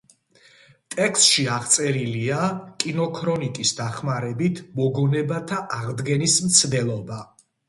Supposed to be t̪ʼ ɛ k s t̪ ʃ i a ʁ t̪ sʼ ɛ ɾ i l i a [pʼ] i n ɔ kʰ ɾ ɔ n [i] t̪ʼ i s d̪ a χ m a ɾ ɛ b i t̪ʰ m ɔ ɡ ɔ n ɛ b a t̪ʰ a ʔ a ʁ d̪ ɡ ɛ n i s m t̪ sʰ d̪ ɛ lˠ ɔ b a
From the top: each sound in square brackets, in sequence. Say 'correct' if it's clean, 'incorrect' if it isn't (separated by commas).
incorrect, correct